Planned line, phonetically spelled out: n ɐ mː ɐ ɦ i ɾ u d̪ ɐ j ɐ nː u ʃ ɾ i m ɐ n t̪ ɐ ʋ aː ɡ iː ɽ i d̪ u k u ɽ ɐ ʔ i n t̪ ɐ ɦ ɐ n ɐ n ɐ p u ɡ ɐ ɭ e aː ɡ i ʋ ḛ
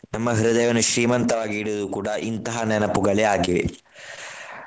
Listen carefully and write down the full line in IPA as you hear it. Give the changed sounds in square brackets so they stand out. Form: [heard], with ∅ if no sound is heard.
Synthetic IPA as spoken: n ɐ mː ɐ ɦ i ɾ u d̪ ɐ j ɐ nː u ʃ ɾ [iː] m ɐ n t̪ ɐ ʋ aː ɡ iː ɽ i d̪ u k [uː] ɽ ɐ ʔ i n t̪ ɐ ɦ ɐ n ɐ n ɐ p u ɡ ɐ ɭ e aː ɡ i ʋ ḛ